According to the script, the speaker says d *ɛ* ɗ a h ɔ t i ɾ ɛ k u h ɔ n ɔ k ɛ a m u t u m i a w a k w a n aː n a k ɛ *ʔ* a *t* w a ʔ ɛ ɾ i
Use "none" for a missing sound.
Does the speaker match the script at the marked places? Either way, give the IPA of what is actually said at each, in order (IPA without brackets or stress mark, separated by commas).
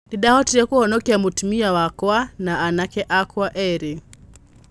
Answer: i, ʔ, k